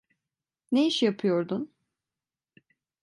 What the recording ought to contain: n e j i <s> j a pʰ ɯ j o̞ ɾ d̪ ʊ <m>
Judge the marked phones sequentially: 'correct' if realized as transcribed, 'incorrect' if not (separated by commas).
incorrect, incorrect